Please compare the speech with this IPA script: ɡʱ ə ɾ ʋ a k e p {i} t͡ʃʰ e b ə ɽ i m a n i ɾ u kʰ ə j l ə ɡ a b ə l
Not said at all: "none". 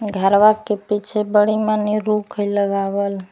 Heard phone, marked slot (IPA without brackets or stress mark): i